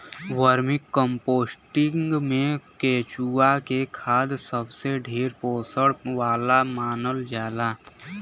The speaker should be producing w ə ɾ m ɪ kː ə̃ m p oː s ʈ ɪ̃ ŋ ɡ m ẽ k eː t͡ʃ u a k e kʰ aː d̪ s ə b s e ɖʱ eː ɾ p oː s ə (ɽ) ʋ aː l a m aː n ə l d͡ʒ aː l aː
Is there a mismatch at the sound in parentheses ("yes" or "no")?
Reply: no